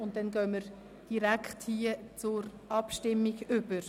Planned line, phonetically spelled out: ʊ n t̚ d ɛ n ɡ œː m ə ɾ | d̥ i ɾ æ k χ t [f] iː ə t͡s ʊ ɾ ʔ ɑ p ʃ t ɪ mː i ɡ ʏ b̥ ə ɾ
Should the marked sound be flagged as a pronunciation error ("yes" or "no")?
yes